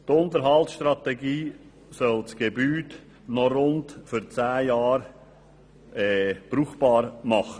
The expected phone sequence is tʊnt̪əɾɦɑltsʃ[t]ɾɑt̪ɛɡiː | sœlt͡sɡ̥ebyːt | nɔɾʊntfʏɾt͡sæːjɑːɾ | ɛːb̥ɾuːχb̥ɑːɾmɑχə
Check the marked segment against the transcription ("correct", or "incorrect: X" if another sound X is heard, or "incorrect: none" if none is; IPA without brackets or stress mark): correct